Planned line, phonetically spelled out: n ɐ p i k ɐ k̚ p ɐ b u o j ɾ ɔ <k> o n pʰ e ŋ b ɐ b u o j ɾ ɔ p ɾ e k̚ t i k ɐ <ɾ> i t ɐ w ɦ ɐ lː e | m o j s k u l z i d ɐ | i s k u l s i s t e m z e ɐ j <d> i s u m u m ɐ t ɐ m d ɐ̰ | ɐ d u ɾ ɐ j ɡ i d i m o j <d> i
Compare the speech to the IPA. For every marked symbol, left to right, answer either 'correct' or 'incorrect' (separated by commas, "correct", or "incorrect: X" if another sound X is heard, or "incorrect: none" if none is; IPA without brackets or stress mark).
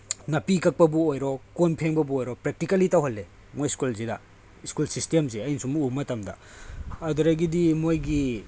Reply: correct, incorrect: l, incorrect: n, incorrect: ɡ